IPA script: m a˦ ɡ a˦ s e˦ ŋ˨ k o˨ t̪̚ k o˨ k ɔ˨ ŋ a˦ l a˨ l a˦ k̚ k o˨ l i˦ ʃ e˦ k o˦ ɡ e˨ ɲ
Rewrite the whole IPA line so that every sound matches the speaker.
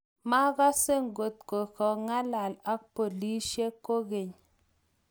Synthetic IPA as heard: m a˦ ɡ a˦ s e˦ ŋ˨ ɡ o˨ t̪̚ k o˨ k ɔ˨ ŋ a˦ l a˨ l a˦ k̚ p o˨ l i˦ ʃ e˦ k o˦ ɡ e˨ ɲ